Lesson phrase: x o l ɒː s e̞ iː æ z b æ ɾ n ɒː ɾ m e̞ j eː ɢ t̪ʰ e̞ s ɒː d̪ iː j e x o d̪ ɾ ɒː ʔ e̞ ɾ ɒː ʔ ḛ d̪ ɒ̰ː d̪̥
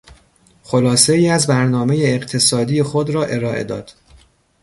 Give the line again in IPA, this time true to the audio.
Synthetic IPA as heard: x o l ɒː s e̞ iː æ z b æ ɾ n ɒː m e̞ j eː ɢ t̪ʰ e̞ s ɒː d̪ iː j e x o d̪ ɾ ɒː ʔ e̞ ɾ ɒː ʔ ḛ d̪ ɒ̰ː d̪̥

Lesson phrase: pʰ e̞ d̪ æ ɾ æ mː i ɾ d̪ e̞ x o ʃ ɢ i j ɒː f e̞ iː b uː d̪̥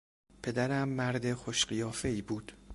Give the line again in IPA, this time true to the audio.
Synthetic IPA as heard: pʰ e̞ d̪ æ ɾ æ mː æ ɾ d̪ e̞ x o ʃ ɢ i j ɒː f e̞ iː b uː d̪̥

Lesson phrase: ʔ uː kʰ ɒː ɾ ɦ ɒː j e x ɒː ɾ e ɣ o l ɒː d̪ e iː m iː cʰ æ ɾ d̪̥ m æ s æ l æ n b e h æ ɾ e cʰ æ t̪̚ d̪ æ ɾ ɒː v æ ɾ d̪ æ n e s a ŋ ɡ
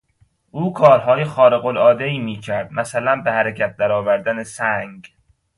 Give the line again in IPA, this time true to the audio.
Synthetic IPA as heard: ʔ uː kʰ ɒː ɾ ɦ ɒː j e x ɒː ɾ e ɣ o l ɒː d̪ e iː m iː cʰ æ ɾ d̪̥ m æ s æ l æ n b e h æ ɾ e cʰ æ t̪̚ d̪ æ ɾ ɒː v æ ɾ d̪ æ n e s æ ŋ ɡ

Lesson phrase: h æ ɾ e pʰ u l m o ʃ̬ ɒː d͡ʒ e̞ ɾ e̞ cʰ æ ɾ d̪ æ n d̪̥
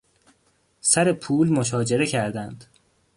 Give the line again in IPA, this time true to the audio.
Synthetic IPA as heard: s æ ɾ e pʰ uː l m o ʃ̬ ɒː d͡ʒ e̞ ɾ e̞ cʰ æ ɾ d̪ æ n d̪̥

